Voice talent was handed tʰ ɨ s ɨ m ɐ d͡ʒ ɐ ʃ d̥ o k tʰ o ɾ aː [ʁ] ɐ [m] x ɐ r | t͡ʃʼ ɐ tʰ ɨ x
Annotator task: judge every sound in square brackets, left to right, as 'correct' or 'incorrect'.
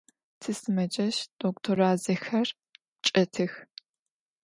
incorrect, incorrect

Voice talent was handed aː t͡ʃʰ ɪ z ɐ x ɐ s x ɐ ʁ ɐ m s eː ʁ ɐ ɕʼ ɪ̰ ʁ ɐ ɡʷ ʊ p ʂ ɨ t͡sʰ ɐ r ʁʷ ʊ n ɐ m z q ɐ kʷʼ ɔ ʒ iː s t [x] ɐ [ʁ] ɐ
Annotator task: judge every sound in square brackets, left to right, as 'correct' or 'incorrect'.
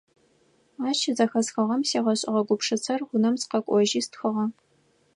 correct, correct

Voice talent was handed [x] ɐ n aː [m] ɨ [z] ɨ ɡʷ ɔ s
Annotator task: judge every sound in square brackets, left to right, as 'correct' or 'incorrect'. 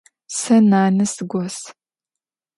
incorrect, incorrect, incorrect

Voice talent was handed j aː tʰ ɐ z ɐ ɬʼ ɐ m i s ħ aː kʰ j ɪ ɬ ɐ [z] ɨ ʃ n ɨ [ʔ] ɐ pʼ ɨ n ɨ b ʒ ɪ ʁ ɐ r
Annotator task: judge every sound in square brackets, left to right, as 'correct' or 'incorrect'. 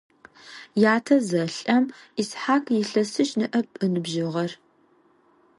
incorrect, correct

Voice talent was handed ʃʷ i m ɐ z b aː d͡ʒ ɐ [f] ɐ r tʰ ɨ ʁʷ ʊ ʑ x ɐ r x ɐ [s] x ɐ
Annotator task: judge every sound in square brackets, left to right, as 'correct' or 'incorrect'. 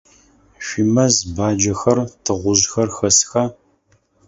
incorrect, correct

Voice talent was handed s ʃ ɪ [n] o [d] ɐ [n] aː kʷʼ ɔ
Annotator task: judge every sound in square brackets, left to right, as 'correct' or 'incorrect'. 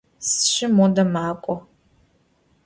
incorrect, correct, incorrect

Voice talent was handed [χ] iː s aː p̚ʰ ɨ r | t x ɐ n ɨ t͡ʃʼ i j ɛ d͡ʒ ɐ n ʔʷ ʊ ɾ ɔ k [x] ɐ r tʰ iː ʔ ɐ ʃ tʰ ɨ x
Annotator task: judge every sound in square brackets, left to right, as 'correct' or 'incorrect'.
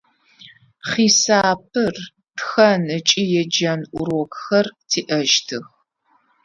correct, correct

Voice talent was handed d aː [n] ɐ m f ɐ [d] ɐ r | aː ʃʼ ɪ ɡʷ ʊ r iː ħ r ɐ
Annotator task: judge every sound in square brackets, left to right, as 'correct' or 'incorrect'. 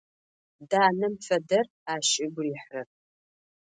correct, correct

